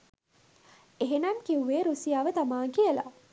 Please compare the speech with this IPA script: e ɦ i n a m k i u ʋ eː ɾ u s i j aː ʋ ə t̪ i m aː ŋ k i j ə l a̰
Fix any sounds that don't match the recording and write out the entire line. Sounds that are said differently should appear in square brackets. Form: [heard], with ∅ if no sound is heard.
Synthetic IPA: e ɦ [e] n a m k i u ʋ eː ɾ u s i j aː ʋ ə t̪ [a] m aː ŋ k i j ə l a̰